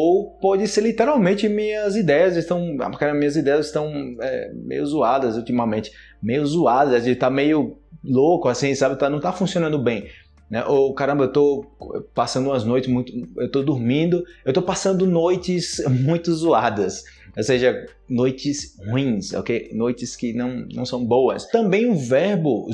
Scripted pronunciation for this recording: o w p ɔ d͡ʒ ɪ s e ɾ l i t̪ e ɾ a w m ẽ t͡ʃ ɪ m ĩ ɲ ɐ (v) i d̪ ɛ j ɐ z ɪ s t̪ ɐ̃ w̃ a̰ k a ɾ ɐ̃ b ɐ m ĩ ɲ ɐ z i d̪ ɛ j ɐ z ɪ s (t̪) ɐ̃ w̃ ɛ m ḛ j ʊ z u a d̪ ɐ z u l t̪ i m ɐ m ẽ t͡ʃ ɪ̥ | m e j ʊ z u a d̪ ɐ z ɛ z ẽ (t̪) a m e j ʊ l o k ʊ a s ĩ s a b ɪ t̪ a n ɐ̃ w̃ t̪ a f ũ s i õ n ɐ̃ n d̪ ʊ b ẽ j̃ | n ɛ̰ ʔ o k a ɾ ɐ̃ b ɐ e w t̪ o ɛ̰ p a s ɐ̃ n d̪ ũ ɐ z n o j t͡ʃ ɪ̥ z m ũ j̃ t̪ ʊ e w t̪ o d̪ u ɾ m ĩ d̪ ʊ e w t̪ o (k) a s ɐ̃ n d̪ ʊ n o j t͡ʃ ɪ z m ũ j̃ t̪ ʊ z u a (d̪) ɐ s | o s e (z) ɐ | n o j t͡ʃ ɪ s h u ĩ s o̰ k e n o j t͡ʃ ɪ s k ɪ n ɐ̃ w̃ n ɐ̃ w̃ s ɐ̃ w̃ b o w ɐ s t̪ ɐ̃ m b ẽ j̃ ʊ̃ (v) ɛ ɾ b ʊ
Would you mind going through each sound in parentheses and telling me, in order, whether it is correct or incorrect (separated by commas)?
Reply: incorrect, correct, correct, incorrect, correct, incorrect, correct